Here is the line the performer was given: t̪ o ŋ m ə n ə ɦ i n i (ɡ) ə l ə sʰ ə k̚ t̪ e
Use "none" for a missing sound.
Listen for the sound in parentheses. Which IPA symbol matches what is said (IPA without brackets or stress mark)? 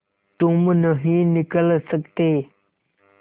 k